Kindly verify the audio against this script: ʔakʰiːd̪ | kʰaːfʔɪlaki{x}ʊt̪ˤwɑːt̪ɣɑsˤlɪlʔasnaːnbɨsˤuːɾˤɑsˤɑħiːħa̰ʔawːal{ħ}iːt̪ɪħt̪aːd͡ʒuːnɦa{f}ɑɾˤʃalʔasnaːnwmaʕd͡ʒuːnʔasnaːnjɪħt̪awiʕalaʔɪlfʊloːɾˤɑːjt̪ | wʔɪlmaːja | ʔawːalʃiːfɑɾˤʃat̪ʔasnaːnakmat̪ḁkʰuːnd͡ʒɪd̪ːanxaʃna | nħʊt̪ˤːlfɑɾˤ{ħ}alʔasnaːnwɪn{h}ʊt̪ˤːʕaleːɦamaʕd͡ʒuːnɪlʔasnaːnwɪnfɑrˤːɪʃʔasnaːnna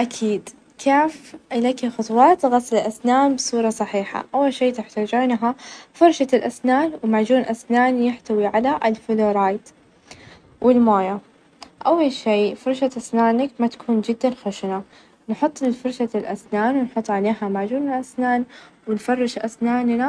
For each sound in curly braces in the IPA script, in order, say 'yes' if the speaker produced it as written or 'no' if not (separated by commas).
yes, no, yes, no, no